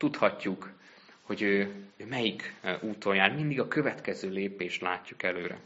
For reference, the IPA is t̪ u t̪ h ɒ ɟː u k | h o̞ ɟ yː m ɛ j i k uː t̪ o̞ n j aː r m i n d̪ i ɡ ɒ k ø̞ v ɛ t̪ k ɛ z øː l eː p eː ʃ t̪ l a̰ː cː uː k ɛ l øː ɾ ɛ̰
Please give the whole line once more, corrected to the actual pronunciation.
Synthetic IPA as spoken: t̪ u t̪ h ɒ cː u k | h o̞ ɟ øː m ɛ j i k uː t̪ o̞ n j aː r m i n d̪ i ɡ ɒ k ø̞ v ɛ t̪ k ɛ z øː l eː p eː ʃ t̪ l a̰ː cː u k ɛ l øː ɾ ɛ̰